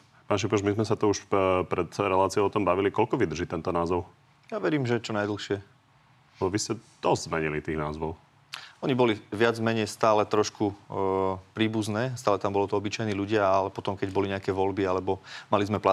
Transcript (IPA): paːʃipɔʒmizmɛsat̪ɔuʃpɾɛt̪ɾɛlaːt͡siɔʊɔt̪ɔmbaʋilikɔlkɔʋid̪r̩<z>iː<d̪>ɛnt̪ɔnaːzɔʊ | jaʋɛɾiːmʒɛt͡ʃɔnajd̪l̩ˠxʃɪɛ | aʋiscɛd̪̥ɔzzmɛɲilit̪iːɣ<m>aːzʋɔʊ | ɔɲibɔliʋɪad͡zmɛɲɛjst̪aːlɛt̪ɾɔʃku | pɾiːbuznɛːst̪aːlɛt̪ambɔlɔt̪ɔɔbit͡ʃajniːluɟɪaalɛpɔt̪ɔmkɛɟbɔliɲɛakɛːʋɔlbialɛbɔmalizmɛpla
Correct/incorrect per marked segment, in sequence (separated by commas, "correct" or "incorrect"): incorrect, incorrect, incorrect